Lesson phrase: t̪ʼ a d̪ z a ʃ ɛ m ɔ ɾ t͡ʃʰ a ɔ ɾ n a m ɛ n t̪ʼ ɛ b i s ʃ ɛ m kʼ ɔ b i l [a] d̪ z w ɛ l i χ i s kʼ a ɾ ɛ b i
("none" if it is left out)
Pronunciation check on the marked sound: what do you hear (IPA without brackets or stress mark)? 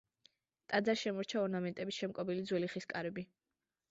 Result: i